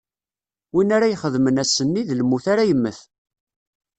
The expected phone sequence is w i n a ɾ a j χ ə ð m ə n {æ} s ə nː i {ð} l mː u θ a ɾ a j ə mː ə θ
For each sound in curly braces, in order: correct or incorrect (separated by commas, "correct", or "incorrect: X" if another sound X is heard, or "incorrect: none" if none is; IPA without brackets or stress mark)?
correct, correct